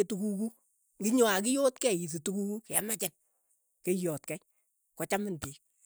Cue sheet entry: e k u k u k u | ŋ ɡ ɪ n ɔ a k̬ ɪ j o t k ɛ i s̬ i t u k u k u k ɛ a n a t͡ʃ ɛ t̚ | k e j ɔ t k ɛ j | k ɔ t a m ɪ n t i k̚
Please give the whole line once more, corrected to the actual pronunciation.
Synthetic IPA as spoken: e t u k u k u | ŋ ɡ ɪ ɲ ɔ a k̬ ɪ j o t k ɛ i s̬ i t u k u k u k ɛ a m a t͡ʃ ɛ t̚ | k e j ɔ t k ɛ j | k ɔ t͡ʃ a m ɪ n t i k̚